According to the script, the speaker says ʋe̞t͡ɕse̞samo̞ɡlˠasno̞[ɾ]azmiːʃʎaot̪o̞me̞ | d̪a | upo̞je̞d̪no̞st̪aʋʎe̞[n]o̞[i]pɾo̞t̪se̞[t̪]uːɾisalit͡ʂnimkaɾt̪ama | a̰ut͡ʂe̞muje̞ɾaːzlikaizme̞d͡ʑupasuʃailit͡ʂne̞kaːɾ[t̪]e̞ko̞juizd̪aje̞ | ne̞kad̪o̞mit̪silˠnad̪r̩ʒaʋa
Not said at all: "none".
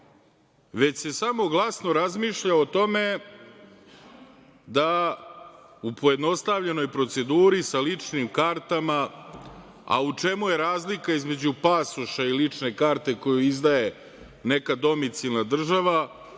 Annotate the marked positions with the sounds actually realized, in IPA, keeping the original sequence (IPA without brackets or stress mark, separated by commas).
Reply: ɾ, n, j, d̪, t̪